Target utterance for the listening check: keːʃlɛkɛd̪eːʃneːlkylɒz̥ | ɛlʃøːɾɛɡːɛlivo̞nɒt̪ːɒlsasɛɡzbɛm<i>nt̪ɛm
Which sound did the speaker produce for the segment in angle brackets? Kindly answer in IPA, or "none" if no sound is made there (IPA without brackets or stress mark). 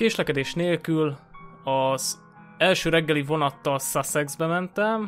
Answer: ɛ